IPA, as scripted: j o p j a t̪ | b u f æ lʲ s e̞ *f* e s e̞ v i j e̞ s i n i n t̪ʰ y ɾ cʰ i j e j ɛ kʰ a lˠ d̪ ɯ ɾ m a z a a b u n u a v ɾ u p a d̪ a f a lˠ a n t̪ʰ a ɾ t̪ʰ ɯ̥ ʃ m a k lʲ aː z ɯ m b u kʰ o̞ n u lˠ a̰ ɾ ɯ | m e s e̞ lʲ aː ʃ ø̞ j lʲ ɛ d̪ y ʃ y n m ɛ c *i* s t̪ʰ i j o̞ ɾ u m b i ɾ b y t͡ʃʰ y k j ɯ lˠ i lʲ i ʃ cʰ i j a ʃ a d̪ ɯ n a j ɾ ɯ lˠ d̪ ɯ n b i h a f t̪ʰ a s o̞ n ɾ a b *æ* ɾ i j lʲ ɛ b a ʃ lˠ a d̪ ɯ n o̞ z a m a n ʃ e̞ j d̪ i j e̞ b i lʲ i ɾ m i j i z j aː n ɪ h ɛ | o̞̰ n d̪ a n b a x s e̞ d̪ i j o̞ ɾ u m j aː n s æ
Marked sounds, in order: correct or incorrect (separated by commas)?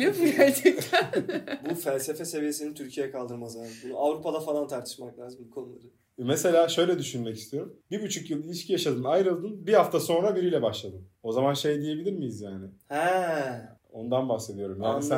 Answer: correct, correct, incorrect